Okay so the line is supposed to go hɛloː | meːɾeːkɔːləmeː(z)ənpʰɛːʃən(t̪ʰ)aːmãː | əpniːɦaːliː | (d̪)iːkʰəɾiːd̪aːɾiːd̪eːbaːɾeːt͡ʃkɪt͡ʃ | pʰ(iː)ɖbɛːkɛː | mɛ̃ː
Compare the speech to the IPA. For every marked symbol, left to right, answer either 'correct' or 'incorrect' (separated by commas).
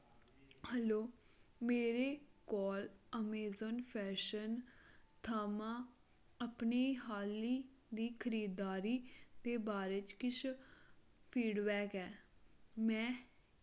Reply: correct, correct, correct, correct